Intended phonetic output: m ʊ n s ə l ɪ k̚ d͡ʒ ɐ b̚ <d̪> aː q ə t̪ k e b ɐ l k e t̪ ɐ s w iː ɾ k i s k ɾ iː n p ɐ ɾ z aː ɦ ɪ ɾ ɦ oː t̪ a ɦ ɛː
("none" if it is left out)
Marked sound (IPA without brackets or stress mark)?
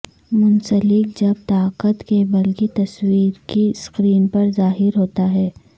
t̪